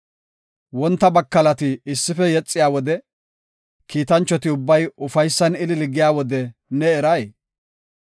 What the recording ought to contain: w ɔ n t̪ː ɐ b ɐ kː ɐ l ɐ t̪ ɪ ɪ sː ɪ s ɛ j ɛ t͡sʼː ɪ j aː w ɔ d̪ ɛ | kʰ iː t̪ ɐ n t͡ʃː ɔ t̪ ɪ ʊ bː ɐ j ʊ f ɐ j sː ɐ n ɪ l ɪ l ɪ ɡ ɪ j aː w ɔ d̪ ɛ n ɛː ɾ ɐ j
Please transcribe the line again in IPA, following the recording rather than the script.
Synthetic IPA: w ɔ n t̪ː ɐ b ɐ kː ɐ l ɐ t̪ ɪ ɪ sː ɪ f ɛ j ɛ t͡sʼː ɪ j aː w ɔ d̪ ɛ | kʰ iː t̪ ɐ n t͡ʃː ɔ t̪ ɪ ʊ bː ɐ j ʊ f ɐ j sː ɐ n ɪ l ɪ l ɪ ɡ ɪ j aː w ɔ d̪ ɛ n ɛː ɾ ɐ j